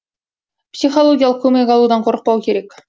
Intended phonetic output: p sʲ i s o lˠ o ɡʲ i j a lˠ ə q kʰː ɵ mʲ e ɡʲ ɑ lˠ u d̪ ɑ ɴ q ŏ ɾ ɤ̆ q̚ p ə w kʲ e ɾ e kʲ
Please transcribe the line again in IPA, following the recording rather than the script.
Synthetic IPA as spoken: p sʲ i χ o lˠ o ɡʲ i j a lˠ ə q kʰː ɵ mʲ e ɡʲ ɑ lˠ u d̪ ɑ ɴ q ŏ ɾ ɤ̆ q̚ p ɑ w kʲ e ɾ e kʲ